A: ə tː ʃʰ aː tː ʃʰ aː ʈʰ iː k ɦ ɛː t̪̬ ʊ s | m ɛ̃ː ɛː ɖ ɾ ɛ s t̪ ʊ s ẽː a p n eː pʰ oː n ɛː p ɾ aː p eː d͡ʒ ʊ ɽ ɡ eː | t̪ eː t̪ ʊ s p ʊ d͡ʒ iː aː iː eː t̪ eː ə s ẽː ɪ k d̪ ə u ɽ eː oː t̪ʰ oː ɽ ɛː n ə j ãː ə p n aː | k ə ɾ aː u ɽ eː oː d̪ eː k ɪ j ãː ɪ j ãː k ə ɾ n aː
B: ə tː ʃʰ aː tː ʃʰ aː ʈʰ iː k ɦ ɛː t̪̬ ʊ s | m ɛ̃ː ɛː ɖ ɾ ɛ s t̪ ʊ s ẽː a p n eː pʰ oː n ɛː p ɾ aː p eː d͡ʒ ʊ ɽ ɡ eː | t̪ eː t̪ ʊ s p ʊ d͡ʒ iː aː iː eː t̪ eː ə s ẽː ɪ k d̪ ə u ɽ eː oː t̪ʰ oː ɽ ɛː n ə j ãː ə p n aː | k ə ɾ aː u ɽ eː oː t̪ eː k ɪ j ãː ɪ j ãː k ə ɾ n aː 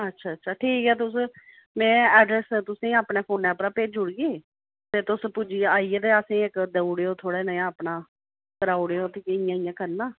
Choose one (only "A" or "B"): B